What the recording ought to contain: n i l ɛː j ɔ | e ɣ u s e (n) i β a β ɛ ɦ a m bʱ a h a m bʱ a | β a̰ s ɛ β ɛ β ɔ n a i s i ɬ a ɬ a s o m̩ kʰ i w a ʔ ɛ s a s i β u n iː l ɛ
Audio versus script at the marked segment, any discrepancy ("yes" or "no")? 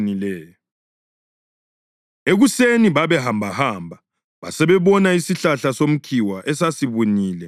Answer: no